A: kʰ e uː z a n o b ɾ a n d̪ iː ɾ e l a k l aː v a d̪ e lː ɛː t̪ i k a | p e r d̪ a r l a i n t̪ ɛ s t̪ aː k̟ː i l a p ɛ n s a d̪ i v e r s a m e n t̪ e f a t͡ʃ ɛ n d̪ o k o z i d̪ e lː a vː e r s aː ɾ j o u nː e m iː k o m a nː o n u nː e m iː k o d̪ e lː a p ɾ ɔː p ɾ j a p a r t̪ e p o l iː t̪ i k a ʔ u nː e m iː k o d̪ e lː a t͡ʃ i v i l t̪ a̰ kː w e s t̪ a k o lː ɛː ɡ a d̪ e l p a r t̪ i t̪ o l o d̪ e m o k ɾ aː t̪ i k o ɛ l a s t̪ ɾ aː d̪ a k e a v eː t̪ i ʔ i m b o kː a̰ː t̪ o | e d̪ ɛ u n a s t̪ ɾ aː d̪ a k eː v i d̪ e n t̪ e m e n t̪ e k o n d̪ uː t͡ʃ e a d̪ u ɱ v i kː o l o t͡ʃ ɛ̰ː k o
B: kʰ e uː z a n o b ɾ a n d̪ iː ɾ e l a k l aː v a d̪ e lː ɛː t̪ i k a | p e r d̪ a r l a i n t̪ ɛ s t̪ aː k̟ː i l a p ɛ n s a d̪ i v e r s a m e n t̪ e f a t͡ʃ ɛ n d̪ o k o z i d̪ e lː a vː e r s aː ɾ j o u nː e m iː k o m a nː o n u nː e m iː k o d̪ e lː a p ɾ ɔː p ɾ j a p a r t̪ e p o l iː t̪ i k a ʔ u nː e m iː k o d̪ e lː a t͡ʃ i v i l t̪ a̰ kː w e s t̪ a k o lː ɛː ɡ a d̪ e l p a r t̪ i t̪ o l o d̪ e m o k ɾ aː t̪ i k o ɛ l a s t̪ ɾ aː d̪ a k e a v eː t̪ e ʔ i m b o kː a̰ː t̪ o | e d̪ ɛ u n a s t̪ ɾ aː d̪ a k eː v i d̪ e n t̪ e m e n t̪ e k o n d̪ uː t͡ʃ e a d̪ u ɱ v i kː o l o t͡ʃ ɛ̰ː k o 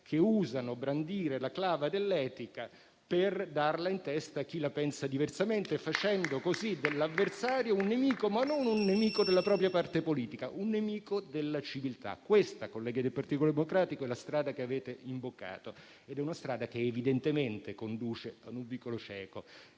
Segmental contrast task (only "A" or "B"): B